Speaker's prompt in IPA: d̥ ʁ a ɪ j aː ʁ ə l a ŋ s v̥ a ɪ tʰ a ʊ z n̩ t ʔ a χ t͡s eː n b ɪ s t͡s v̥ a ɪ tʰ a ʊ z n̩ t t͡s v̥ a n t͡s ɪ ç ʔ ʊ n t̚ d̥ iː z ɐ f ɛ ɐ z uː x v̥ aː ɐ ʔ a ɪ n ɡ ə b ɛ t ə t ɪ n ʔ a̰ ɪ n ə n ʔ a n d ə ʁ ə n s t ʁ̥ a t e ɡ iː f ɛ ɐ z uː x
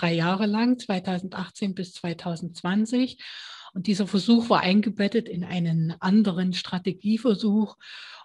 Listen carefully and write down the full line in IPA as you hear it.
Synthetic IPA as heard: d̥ ʁ a ɪ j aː ʁ ə l a ŋ t͡s v̥ a ɪ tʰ a ʊ z n̩ t ʔ a χ t͡s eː n b ɪ s t͡s v̥ a ɪ tʰ a ʊ z n̩ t t͡s v̥ a n t͡s ɪ ç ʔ ʊ n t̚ d̥ iː z ɐ f ɛ ɐ z uː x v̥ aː ɐ ʔ a ɪ n ɡ ə b ɛ t ə t ɪ n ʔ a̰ ɪ n ə n ʔ a n d ə ʁ ə n ʃ t ʁ̥ a t e ɡ iː f ɛ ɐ z uː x